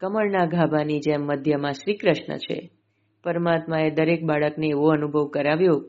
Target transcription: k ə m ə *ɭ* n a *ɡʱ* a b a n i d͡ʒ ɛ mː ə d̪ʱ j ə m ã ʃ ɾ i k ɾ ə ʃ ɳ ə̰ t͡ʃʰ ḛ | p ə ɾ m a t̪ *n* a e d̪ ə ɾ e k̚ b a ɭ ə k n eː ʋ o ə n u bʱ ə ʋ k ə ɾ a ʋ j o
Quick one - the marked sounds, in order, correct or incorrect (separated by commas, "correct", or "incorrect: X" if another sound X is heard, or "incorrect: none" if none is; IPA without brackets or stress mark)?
correct, correct, incorrect: m